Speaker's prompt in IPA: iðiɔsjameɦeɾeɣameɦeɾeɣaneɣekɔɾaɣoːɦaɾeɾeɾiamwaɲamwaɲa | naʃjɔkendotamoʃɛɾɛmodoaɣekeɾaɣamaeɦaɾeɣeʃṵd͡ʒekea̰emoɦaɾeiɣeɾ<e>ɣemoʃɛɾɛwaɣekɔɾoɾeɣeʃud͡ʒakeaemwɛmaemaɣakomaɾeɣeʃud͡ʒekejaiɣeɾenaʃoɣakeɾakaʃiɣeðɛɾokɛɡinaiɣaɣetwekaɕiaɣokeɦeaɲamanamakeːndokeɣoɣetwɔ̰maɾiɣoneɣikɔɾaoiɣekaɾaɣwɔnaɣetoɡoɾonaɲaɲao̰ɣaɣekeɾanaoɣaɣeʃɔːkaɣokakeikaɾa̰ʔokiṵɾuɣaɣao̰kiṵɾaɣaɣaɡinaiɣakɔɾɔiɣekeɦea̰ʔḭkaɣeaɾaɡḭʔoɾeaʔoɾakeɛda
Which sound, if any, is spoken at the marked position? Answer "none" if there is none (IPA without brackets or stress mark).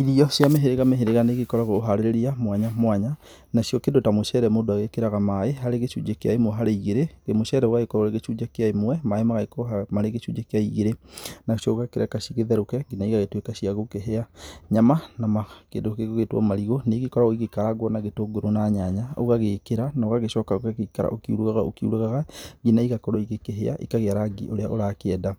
e